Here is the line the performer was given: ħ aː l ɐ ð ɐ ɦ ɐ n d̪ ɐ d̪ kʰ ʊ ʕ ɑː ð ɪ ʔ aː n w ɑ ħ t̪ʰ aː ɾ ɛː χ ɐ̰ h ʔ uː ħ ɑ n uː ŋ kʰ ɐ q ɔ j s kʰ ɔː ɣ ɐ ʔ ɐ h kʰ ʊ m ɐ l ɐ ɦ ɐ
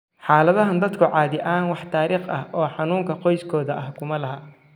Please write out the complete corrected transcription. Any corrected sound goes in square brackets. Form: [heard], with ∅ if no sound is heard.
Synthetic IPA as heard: ħ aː l ɐ ð ɐ ɦ ɐ n d̪ ɐ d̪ kʰ ʊ ʕ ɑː ð ɪ ʔ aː n w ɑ ħ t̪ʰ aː ɾ [iː] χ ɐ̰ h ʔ [ɔː] ħ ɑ n uː ŋ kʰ ɐ q ɔ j s kʰ ɔː [ð] ɐ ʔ ɐ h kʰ ʊ m ɐ l ɐ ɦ ɐ